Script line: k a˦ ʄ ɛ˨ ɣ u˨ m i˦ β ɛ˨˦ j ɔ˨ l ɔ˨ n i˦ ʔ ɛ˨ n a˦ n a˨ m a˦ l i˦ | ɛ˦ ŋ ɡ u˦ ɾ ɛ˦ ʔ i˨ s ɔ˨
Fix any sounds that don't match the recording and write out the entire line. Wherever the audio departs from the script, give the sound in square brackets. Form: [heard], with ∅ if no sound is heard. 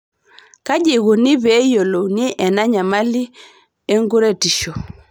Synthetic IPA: k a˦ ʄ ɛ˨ ɣ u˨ [n] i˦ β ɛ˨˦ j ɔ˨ l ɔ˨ n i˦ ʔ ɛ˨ n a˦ [ɲ] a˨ m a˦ l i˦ | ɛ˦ ŋ ɡ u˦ ɾ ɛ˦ [t] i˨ [ʃ] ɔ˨